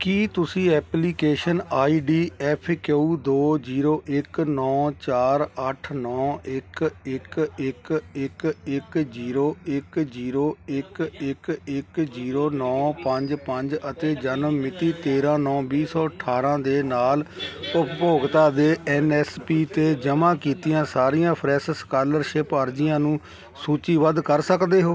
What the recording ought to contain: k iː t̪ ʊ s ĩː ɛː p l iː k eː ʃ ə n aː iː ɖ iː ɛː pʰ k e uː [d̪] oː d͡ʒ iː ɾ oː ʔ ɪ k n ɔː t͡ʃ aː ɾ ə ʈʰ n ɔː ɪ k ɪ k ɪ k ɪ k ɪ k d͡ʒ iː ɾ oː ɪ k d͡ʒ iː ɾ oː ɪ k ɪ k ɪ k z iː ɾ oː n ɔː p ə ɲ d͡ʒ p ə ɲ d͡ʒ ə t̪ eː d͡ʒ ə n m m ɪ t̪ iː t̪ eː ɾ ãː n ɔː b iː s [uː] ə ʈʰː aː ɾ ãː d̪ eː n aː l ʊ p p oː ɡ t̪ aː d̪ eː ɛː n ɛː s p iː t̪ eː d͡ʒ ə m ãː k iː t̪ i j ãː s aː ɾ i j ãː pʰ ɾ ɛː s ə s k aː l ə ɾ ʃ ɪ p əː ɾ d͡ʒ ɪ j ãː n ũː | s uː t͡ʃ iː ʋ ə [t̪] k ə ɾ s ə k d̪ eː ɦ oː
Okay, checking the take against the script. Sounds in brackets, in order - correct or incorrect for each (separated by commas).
correct, incorrect, incorrect